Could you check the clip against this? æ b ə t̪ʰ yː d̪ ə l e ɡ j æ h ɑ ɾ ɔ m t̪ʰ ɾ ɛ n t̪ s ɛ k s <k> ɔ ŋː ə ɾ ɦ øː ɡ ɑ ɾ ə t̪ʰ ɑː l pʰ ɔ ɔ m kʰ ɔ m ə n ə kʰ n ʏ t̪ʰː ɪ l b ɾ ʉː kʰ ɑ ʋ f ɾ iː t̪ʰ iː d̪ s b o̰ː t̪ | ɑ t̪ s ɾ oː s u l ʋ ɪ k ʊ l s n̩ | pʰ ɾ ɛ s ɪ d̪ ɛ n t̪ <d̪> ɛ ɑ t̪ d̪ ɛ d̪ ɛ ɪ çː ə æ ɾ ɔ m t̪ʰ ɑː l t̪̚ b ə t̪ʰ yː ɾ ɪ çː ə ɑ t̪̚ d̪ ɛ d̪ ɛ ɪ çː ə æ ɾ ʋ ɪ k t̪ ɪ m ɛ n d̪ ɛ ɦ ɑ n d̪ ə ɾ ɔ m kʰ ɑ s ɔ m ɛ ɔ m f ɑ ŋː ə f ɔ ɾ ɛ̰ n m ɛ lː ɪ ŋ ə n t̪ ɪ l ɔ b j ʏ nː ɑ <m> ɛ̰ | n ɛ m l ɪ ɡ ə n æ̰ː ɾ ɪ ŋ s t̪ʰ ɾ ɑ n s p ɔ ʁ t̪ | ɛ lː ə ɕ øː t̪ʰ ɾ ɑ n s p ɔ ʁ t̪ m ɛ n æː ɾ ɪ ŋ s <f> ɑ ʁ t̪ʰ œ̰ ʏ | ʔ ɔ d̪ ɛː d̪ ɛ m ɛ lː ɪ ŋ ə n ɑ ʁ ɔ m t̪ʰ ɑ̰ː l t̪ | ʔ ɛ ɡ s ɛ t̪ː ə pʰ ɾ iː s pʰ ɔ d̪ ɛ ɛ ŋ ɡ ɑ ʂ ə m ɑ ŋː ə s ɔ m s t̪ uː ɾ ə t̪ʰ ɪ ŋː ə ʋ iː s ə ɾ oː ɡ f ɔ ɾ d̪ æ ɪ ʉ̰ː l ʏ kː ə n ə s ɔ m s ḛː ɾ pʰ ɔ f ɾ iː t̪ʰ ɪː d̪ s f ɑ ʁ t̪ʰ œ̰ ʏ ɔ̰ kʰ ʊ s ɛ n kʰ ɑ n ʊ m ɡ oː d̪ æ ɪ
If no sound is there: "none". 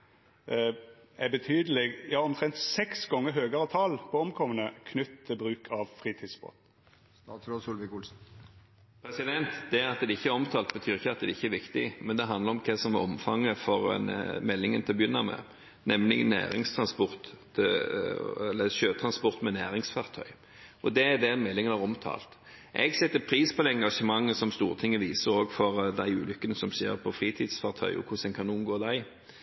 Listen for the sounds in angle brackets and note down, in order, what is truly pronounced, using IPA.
ɡ, d̪, m, f

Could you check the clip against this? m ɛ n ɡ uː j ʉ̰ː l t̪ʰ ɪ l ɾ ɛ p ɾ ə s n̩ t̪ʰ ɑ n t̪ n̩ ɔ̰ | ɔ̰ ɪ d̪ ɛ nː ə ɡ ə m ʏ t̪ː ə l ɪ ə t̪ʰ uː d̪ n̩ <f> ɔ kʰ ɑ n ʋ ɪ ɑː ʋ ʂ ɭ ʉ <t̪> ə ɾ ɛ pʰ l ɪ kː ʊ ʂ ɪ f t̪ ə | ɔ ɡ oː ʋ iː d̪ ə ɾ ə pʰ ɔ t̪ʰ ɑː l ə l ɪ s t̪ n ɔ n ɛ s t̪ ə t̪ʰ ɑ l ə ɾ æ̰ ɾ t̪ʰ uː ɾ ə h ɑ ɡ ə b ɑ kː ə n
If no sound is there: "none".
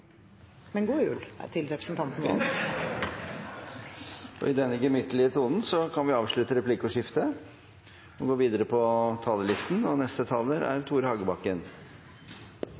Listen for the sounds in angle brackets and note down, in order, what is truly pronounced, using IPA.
s, t̪

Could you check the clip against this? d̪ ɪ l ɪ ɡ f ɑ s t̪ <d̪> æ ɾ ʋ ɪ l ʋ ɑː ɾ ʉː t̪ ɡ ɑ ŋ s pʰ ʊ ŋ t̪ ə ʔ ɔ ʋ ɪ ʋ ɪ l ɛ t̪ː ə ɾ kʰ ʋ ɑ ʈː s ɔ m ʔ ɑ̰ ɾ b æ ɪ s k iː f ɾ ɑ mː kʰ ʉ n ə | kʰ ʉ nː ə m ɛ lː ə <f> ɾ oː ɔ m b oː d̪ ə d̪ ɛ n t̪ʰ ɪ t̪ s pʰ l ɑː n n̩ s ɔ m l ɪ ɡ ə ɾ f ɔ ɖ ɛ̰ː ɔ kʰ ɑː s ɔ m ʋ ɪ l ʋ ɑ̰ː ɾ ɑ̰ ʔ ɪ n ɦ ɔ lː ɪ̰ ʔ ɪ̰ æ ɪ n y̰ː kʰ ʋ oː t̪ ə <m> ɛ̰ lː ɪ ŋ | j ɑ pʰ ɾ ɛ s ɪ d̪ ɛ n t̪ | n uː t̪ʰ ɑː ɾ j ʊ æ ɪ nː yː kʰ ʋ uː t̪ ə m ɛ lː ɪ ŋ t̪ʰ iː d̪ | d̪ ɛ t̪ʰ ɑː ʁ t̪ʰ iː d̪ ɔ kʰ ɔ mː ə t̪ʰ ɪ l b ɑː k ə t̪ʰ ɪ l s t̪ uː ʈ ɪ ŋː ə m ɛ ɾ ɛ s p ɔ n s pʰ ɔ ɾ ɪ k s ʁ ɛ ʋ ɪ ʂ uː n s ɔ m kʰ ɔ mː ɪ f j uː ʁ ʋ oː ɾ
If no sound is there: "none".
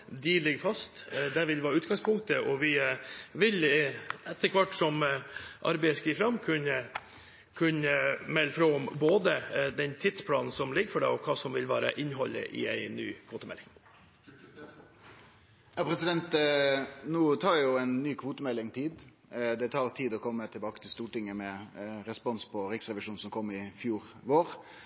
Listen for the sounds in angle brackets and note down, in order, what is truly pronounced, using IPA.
d̪, f, m

